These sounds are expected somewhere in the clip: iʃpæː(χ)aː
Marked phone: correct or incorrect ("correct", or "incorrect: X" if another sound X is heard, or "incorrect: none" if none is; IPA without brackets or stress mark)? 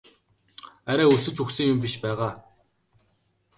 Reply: incorrect: ʁ